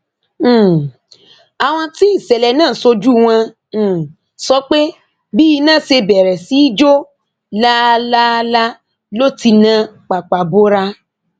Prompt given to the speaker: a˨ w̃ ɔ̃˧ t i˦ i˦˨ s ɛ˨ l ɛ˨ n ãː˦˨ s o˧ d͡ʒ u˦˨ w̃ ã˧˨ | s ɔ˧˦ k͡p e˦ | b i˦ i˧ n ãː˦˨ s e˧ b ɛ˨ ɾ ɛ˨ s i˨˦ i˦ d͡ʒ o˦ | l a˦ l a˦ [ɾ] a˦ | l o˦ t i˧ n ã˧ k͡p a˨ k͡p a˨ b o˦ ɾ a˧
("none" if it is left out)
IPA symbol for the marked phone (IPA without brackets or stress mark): l